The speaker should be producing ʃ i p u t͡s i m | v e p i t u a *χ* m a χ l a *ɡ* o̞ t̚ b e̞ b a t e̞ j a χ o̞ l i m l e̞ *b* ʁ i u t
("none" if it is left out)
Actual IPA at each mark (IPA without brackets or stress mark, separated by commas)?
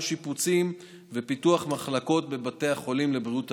χ, k, b